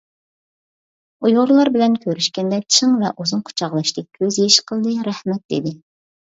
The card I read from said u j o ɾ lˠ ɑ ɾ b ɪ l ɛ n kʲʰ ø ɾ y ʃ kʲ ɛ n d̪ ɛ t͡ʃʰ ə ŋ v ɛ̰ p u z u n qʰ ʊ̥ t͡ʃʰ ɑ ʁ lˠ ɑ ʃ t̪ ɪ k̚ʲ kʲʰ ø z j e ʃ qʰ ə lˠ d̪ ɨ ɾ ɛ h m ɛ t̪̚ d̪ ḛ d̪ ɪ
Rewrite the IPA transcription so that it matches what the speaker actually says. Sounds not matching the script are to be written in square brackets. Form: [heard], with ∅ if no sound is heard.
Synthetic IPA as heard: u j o ɾ lˠ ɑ ɾ b ɪ l ɛ n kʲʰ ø ɾ y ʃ kʲ ɛ n d̪ ɛ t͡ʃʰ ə ŋ v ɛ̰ [ʔ] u z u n qʰ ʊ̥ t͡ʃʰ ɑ ʁ lˠ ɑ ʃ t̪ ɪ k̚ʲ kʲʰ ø z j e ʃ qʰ ə lˠ d̪ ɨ ɾ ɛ h m ɛ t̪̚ d̪ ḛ d̪ ɪ